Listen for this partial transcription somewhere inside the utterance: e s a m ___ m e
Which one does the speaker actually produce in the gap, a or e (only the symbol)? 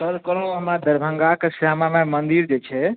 a